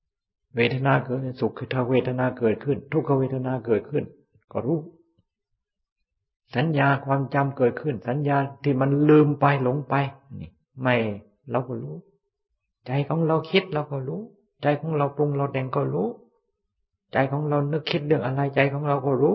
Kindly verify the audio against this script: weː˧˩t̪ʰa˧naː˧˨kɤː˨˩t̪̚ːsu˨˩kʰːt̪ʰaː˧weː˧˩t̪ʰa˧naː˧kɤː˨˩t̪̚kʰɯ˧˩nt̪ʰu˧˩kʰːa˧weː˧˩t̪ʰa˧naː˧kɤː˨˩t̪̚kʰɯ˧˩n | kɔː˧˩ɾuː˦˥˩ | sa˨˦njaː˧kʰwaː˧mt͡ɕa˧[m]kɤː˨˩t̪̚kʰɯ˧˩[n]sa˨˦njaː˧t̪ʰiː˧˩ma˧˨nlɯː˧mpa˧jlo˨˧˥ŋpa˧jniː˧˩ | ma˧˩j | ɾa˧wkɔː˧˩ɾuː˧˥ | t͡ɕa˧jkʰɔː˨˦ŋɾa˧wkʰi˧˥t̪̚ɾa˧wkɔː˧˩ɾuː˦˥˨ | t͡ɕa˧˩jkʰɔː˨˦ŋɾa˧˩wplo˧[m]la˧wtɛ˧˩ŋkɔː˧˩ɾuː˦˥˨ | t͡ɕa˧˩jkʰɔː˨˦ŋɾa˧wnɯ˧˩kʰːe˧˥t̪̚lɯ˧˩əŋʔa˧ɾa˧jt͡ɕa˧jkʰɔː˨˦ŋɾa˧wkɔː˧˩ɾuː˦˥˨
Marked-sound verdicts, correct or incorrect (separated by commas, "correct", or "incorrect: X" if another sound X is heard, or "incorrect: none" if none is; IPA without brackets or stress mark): correct, correct, incorrect: ŋ